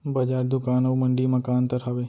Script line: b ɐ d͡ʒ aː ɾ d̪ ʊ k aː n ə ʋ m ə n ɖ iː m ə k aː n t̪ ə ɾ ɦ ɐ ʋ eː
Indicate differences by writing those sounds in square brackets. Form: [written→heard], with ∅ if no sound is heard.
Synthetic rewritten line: b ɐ d͡ʒ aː ɾ d̪ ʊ k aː n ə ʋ m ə [n→ɳ] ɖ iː m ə k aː n t̪ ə ɾ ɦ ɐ ʋ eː